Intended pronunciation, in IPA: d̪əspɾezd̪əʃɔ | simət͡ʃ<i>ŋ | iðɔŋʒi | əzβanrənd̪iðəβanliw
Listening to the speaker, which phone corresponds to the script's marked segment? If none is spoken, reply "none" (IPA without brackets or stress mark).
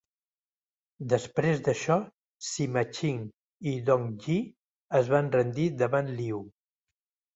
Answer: i